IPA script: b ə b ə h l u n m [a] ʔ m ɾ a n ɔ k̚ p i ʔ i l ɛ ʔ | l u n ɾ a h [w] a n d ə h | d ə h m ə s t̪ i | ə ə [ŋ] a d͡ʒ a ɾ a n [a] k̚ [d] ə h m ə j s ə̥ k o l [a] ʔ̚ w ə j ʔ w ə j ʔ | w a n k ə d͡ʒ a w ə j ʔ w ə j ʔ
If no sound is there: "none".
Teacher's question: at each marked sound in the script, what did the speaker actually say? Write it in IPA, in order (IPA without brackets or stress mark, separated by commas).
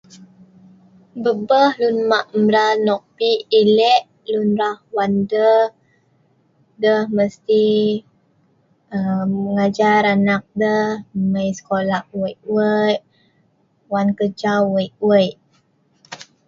a, w, ŋ, a, d, a